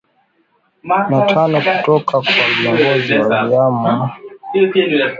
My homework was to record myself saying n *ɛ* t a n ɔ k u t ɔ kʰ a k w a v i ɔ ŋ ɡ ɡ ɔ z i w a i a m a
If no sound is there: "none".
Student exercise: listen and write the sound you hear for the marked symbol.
a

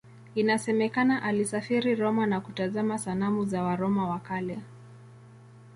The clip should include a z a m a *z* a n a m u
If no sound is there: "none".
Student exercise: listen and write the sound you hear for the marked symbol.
s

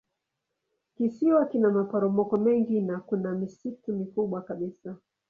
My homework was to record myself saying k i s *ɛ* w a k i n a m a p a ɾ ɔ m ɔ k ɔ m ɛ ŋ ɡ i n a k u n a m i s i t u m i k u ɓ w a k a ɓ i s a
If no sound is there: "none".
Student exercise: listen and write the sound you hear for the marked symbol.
i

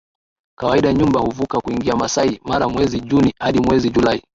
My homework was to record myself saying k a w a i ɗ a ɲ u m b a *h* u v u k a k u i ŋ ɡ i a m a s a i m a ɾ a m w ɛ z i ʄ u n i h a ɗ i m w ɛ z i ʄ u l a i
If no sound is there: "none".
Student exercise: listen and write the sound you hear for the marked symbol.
h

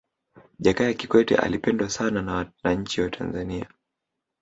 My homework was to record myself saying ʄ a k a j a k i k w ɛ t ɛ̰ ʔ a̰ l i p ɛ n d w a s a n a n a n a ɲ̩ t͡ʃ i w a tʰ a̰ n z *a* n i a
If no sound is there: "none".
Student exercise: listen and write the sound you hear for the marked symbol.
a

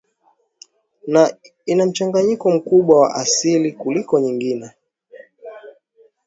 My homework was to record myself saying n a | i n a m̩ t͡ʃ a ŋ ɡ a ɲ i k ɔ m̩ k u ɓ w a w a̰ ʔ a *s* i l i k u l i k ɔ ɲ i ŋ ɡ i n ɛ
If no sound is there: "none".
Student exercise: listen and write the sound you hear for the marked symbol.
s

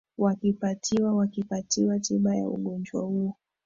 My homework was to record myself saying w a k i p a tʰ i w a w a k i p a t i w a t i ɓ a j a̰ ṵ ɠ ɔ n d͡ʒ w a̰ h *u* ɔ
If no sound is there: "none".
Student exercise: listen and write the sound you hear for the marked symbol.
u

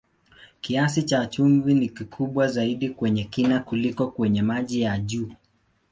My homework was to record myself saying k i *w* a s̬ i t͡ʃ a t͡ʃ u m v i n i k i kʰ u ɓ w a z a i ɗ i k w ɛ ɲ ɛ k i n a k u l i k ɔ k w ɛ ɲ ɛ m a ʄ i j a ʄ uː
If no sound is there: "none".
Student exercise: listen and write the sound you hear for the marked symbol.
none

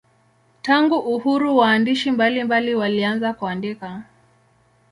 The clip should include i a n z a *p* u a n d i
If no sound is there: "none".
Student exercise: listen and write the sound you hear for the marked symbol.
k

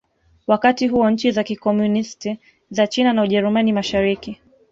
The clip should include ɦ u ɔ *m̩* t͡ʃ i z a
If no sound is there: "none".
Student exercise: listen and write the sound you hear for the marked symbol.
ɲ̩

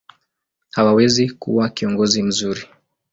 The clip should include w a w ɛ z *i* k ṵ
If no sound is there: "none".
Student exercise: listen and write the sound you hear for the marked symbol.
i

